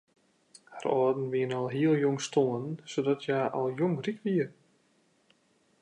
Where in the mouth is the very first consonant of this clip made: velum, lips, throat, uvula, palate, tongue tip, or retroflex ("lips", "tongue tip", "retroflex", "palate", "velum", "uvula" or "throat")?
throat